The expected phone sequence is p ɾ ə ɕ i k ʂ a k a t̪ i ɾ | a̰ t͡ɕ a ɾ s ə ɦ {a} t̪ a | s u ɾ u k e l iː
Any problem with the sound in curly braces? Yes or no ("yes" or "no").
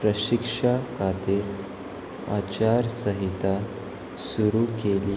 yes